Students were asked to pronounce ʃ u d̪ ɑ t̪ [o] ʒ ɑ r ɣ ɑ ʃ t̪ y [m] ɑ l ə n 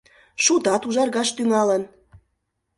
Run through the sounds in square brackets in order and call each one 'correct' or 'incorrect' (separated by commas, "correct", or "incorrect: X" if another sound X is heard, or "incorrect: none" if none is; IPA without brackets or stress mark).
incorrect: u, incorrect: ŋ